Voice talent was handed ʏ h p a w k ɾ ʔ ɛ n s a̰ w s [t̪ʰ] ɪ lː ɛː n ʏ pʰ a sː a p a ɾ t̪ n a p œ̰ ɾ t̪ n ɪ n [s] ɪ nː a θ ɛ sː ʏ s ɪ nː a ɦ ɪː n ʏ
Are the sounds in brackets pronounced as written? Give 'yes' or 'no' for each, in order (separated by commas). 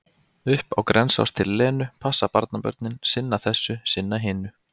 yes, yes